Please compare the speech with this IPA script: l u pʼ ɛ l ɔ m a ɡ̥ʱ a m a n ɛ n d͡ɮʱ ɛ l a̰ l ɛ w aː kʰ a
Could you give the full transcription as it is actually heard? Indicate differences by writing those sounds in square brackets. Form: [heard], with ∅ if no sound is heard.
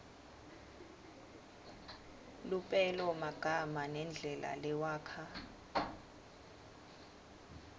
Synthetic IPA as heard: l u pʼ ɛ l ɔ m a ɡ̥ʱ a m a n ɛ n d͡ɮʱ ɛ l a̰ l ɛ w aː kʰ a